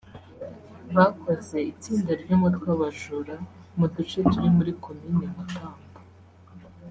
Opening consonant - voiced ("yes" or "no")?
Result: yes